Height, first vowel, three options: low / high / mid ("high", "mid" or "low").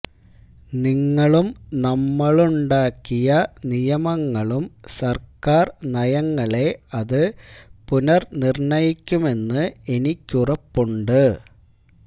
high